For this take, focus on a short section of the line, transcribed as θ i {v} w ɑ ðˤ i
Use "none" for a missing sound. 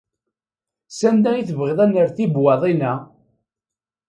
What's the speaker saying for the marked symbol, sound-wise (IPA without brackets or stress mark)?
b